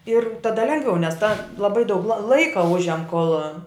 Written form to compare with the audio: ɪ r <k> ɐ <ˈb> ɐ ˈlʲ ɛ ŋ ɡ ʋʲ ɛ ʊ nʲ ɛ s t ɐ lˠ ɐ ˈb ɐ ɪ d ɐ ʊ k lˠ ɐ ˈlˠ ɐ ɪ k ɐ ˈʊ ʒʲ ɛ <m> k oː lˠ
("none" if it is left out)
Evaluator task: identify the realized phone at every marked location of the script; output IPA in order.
t, d, m

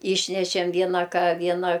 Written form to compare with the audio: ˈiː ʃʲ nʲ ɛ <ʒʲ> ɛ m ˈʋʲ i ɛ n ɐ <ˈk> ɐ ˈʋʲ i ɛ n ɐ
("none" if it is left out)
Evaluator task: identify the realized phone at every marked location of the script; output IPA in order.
ʃʲ, k

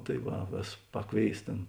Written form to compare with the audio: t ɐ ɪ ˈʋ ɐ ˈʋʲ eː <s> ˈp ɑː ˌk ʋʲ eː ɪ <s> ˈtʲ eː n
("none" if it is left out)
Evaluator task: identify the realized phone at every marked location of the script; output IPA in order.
s, s

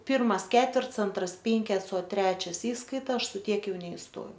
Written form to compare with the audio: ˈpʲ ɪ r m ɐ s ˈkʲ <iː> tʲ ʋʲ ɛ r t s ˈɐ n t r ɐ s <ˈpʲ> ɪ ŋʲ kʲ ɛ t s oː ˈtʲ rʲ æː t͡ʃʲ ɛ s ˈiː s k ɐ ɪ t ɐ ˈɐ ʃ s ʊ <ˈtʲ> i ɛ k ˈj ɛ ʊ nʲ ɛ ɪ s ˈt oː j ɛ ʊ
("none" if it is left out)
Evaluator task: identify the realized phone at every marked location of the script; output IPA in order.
æː, pʲ, tʲ

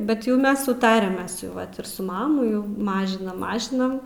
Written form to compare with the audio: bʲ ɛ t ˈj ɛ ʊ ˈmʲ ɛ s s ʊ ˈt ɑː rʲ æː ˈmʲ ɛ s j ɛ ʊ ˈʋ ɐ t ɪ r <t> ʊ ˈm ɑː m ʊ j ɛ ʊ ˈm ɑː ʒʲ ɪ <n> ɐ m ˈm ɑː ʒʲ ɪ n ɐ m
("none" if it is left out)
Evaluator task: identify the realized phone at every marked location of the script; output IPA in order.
s, n

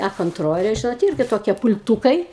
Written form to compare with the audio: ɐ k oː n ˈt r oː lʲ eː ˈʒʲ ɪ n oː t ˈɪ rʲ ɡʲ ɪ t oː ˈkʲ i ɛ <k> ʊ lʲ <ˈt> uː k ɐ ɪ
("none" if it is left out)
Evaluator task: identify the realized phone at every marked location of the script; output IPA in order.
p, t

